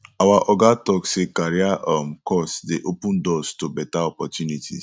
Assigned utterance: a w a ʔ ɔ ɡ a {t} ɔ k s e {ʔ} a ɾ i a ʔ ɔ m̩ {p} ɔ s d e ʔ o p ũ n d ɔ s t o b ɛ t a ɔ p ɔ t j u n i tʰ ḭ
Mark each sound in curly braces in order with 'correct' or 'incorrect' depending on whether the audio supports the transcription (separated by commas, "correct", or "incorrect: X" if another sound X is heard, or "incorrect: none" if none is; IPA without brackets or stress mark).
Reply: correct, incorrect: k, incorrect: k